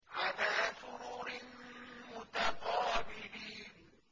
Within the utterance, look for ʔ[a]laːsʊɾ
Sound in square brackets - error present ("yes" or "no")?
no